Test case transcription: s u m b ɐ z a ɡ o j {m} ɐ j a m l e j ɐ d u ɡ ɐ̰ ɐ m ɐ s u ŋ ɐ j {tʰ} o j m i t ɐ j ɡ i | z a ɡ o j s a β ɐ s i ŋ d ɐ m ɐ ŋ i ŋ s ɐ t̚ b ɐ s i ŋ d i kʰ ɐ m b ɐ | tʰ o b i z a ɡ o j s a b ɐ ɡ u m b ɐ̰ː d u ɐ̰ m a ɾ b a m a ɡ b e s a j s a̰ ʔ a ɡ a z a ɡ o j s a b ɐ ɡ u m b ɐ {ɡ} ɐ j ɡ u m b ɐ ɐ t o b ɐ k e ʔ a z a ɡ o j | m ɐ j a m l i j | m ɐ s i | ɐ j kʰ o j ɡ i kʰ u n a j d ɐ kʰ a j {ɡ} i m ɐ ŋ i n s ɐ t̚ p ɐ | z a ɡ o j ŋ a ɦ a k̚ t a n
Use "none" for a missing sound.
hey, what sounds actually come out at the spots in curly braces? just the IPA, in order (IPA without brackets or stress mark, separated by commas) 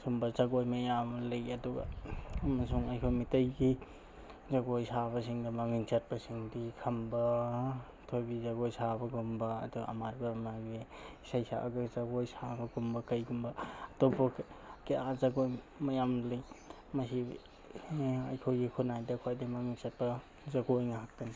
m, kʰ, k, d